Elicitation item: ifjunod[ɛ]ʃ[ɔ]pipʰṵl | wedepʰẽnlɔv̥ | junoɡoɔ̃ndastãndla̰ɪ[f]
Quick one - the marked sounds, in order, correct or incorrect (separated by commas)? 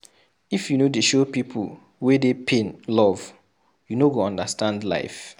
incorrect, incorrect, correct